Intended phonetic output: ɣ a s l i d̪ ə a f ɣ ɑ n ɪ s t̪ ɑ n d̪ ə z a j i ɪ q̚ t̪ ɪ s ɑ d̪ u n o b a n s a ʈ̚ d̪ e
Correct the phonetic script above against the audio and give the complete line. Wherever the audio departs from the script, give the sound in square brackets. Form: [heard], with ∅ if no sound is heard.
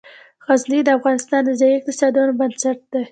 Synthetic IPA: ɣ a [z] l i d̪ ə a f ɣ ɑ n ɪ s t̪ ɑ n d̪ ə z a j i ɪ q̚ t̪ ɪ s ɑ d̪ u n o b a n s a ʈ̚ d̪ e